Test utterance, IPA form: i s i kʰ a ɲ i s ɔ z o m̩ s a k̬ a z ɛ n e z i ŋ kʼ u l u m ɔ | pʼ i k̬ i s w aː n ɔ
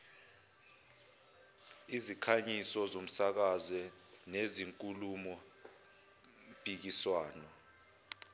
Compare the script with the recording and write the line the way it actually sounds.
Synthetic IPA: i z i kʰ a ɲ i s ɔ z o m̩ s a k̬ a z ɛ n e z i ŋ kʼ u l u m ɔ | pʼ i k̬ i s w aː n ɔ